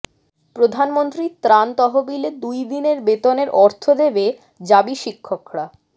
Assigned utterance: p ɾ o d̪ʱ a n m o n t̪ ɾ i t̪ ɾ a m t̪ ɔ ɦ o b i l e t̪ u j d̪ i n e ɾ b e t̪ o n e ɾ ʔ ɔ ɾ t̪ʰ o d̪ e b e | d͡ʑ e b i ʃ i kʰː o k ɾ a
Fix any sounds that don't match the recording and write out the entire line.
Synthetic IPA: p ɾ o d̪ʱ a n m o n t̪ ɾ i t̪ ɾ a n t̪ ɔ ɦ o b i l e d̪ u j d̪ i n e ɾ b e t̪ o n e ɾ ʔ ɔ ɾ t̪ʰ o d̪ e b e | d͡ʑ a b i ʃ i kʰː o k ɾ a